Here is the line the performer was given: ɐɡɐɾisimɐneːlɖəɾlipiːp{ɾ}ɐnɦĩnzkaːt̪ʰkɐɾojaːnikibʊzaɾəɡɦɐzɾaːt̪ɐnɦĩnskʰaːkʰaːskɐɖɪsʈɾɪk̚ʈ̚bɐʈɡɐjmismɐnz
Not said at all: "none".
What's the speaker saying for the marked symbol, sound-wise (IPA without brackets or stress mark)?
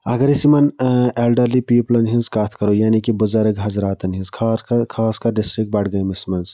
l